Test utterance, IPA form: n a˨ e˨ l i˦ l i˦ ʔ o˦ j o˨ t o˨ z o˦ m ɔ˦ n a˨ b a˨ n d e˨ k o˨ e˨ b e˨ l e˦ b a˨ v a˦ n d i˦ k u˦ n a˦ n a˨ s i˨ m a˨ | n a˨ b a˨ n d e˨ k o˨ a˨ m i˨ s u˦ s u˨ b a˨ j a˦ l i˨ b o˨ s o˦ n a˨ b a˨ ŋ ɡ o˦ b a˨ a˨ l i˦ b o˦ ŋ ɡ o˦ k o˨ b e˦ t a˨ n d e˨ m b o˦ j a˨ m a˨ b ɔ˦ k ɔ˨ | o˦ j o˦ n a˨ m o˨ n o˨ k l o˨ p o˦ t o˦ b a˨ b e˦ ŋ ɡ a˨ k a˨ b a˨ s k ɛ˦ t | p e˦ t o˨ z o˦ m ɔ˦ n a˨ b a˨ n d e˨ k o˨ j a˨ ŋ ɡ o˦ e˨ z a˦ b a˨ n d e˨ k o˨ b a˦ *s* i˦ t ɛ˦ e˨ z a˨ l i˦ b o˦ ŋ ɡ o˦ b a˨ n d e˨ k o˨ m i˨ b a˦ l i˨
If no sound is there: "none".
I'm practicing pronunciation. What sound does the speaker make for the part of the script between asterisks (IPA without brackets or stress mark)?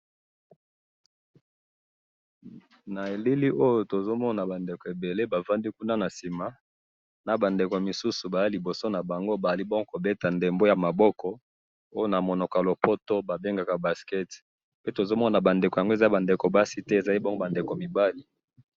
s